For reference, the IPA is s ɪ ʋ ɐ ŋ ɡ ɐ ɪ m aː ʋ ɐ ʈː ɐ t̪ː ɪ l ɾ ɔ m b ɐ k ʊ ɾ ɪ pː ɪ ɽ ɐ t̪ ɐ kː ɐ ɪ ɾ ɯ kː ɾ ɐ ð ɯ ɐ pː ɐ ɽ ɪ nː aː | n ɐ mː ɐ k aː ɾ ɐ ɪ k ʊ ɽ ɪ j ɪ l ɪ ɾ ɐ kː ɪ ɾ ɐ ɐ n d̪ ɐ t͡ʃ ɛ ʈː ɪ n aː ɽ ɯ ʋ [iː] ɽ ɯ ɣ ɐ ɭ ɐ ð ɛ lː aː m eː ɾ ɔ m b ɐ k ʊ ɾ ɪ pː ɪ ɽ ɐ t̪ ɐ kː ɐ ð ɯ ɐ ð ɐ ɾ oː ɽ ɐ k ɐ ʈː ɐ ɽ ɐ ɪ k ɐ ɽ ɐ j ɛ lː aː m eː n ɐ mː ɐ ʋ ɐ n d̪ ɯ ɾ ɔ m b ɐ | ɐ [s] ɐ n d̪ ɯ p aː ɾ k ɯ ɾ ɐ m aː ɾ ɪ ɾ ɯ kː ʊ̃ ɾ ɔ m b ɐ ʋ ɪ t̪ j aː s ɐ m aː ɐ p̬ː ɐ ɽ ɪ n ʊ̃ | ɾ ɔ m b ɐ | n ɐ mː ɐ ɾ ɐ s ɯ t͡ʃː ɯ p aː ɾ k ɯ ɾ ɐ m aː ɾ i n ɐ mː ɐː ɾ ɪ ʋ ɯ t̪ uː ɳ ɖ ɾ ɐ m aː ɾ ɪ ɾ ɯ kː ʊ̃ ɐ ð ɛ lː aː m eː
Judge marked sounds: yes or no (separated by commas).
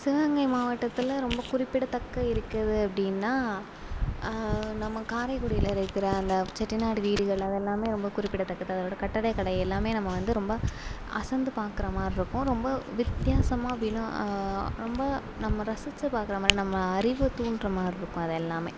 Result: yes, yes